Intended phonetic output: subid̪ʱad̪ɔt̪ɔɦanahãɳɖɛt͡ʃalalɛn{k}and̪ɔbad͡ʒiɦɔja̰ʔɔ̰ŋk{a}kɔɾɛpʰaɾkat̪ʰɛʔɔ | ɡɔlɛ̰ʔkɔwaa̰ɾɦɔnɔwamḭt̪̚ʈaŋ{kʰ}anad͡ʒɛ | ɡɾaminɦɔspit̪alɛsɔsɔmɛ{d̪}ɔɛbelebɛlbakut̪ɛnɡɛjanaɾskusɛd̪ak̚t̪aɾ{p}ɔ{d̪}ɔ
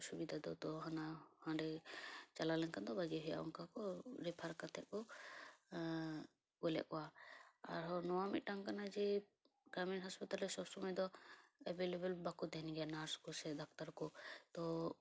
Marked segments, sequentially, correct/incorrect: correct, correct, incorrect: k, correct, incorrect: k, incorrect: t̪

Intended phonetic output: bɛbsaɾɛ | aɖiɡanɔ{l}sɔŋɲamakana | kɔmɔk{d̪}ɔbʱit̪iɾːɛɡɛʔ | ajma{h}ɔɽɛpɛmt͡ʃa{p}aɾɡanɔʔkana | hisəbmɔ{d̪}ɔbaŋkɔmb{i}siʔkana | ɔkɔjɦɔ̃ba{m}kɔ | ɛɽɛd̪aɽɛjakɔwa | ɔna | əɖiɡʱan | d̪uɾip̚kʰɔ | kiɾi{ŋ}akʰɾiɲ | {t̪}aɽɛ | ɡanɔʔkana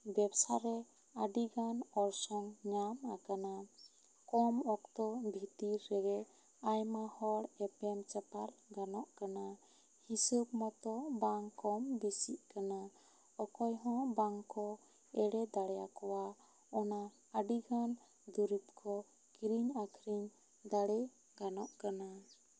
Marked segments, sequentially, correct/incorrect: incorrect: ɾ, incorrect: t̪, correct, correct, incorrect: t̪, correct, incorrect: ŋ, incorrect: ɲ, incorrect: d̪

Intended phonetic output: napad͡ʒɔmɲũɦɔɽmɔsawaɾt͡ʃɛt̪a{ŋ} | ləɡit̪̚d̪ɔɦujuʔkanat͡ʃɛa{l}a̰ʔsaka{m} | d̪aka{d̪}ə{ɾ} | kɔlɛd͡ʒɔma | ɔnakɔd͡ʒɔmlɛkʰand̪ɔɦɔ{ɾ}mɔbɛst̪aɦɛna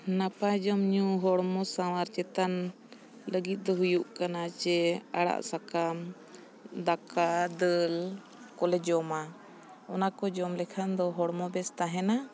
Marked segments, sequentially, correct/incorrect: incorrect: n, incorrect: ɽ, correct, correct, incorrect: l, incorrect: ɽ

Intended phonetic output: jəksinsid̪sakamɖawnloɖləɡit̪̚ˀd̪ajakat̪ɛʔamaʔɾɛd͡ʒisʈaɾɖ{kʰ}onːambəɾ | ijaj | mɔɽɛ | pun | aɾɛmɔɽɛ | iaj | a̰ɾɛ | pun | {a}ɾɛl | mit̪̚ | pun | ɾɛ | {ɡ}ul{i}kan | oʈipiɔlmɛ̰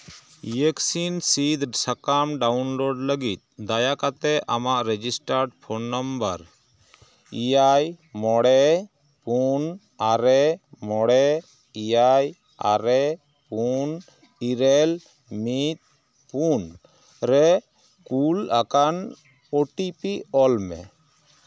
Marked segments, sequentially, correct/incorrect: incorrect: pʰ, incorrect: i, incorrect: k, incorrect: a

